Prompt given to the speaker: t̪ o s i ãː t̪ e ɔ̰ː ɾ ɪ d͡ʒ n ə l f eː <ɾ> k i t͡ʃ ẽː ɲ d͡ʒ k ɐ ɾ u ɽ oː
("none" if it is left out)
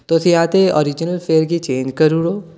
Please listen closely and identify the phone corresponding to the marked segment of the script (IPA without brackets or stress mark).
ɾ